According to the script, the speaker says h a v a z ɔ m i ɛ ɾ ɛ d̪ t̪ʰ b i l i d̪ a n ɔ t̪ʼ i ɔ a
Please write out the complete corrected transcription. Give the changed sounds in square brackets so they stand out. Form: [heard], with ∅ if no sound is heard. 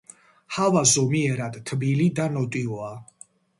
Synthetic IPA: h a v a z ɔ m i ɛ ɾ [a] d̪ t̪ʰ b i l i d̪ a n ɔ t̪ʼ i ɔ a